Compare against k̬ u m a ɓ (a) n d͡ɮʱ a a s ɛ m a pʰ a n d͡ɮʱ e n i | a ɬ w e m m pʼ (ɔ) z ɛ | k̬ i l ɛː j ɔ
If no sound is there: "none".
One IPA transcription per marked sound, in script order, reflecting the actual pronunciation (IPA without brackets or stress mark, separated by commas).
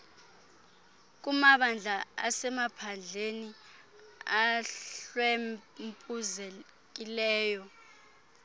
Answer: a, u